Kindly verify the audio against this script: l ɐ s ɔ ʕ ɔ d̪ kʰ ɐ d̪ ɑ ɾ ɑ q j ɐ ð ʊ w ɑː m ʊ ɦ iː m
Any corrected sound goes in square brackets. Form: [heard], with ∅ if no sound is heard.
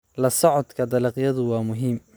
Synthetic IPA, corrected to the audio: l ɐ s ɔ ʕ ɔ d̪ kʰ ɐ d̪ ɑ [l] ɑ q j ɐ ð ʊ w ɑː m ʊ ɦ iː m